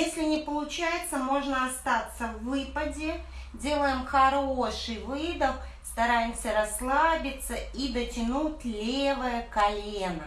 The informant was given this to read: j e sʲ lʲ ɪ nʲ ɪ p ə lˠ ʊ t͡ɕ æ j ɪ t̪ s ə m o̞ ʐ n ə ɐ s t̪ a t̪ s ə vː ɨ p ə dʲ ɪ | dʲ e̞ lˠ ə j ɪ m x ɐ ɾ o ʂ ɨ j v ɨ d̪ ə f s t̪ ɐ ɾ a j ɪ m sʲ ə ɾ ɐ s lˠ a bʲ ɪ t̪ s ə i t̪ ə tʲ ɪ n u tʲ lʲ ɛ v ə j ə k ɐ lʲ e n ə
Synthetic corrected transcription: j e sʲ lʲ ɪ nʲ ɪ p ə lˠ ʊ t͡ɕ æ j ɪ t̪ s ə m o̞ ʐ n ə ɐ s t̪ a t̪ s ə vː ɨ p ə dʲ ɪ | dʲ e̞ lˠ ə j ɪ m x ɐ ɾ o ʂ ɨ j v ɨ d̪ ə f s t̪ ɐ ɾ a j ɪ m sʲ ə ɾ ɐ s lˠ a bʲ ɪ t̪ s ə i d̪ ə tʲ ɪ n u tʲ lʲ e v ə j ə k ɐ lʲ e n ə